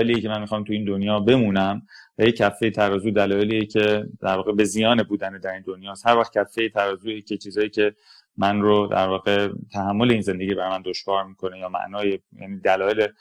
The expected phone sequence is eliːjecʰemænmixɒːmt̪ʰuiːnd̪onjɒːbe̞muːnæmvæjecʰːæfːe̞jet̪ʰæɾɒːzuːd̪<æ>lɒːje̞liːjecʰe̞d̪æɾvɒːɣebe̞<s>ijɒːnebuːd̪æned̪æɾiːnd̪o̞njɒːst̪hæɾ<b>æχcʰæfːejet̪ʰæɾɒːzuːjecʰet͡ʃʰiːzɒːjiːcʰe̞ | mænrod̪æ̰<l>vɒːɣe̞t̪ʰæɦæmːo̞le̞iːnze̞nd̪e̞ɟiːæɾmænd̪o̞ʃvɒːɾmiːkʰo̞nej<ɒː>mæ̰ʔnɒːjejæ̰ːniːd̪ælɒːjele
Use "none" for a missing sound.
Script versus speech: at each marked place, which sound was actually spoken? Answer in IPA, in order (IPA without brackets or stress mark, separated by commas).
æ, z, v, ɾ, ɒː